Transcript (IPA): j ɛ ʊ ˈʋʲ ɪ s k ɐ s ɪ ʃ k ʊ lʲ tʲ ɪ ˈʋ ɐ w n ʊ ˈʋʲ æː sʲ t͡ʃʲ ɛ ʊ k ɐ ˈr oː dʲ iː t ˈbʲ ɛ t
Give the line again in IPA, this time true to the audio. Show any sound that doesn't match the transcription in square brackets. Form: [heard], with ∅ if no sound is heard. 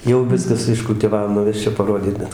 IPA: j ɛ ʊ ˈʋʲ ɪ s k ɐ s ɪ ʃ k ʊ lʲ tʲ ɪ ˈʋ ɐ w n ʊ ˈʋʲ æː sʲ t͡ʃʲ ɛ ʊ [p] ɐ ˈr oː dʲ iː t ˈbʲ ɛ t

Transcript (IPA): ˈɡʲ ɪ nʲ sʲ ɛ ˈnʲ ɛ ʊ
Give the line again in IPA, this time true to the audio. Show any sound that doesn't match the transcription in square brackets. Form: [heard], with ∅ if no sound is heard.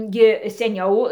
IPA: ˈɡʲ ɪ [∅] sʲ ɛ ˈnʲ ɛ ʊ

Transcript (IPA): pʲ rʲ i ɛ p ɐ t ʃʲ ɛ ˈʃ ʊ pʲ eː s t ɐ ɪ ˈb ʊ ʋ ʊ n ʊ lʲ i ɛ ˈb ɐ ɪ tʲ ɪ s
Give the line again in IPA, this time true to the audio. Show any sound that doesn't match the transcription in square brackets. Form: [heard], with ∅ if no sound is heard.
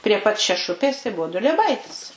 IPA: pʲ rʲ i ɛ p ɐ t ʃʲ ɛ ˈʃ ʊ pʲ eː s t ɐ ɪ ˈb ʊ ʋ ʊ [d] ʊ lʲ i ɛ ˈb ɐ ɪ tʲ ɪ s

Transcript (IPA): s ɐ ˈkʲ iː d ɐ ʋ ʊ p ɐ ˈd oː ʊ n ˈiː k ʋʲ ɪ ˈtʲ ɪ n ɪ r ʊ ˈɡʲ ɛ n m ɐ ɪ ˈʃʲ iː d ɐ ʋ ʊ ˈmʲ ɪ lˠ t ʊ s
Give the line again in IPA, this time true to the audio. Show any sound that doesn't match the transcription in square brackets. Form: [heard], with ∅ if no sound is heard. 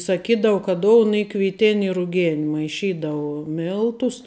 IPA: s ɐ ˈkʲ iː d ɐ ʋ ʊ [k] ɐ ˈd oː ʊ n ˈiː k ʋʲ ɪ ˈtʲ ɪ n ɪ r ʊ ˈɡʲ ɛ n m ɐ ɪ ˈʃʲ iː d ɐ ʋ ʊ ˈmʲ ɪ lˠ t ʊ s

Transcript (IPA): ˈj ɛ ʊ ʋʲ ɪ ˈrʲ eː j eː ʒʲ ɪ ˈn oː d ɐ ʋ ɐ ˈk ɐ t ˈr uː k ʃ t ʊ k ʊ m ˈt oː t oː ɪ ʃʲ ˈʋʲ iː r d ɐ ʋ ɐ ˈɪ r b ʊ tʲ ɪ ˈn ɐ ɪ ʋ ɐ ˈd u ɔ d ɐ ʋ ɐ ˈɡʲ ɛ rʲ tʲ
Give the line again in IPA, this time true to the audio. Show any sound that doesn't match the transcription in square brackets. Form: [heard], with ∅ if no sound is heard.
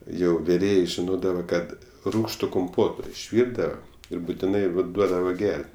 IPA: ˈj ɛ ʊ ʋʲ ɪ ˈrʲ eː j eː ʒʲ ɪ ˈn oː d ɐ ʋ ɐ ˈk ɐ t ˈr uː k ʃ t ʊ k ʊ m [ˈp] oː t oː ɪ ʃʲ ˈʋʲ iː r d ɐ ʋ ɐ ˈɪ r b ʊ tʲ ɪ ˈn ɐ ɪ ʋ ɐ ˈd u ɔ d ɐ ʋ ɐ ˈɡʲ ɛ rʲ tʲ

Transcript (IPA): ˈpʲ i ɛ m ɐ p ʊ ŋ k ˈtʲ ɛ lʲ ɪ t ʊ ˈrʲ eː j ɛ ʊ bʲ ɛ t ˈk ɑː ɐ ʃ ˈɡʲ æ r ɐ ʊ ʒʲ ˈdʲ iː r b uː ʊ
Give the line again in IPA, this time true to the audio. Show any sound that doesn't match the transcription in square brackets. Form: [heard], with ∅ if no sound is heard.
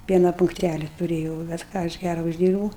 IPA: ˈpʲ i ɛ [n] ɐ p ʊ ŋ k ˈtʲ [æ] lʲ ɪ t ʊ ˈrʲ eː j ɛ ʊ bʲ ɛ t ˈk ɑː ɐ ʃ ˈɡʲ æ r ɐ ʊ ʒʲ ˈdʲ iː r b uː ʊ

